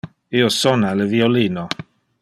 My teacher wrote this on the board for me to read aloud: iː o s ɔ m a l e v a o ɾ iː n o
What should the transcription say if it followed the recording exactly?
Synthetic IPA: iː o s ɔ n a l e v i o l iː n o

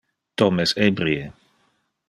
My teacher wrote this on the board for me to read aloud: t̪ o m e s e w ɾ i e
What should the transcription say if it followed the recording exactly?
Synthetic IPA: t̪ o m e s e b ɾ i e

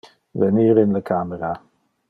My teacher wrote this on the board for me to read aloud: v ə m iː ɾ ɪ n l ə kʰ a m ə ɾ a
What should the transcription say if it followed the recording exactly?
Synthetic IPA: v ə n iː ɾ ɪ n l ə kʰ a m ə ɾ a

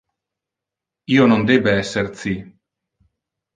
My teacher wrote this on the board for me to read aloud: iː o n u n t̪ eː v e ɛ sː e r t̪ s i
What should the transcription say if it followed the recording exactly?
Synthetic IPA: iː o n o n d̪ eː b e ɛ sː e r t̪ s i

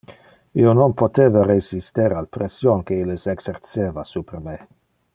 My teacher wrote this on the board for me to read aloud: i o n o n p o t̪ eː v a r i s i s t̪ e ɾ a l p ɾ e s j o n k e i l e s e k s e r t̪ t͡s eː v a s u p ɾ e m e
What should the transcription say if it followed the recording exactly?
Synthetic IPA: i o n o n p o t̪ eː v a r e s i s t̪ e ɾ a l p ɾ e s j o n k e i l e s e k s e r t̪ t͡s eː v a s u p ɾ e m e

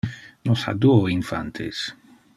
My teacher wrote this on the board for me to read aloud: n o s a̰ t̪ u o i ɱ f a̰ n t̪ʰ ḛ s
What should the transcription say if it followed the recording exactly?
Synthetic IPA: n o s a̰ d̪ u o i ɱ f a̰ n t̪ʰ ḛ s

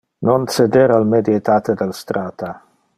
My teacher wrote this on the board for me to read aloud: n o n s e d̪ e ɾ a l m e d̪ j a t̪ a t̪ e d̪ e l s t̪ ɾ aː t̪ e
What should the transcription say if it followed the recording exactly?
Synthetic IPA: n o n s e d̪ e ɾ a l m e d̪ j e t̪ a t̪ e d̪ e l s t̪ ɾ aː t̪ a

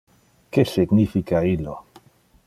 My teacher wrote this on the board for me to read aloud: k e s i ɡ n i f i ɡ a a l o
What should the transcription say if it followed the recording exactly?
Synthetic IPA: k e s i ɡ n i f i k a i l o

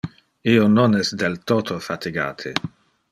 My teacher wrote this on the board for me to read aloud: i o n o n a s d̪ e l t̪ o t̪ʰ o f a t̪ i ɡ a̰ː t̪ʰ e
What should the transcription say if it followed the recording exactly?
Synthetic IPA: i o n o n ɛ s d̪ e l t̪ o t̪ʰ o f a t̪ i ɡ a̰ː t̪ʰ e

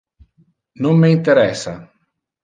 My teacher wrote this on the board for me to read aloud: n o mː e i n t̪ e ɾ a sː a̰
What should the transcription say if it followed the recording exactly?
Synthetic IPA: n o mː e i n t̪ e ɾ ɛ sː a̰

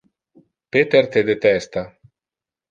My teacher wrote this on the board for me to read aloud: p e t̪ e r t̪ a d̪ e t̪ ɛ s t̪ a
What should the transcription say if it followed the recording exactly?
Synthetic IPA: p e t̪ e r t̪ e d̪ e t̪ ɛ s t̪ a

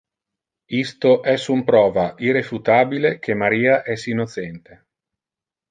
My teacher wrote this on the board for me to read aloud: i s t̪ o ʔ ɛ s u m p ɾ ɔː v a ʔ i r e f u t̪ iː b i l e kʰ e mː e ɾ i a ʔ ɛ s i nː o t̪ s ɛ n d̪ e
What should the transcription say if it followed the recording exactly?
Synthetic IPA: i s t̪ o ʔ ɛ s u m p ɾ ɔː v a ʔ i r e f u t̪ aː b i l e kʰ e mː a ɾ iː a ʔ ɛ s i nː o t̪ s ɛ n t̪ e

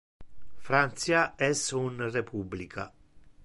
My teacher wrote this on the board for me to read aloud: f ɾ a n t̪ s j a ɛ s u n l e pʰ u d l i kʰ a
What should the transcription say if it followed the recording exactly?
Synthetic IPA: f ɾ a n t̪ s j a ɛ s u n r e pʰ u b l i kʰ a

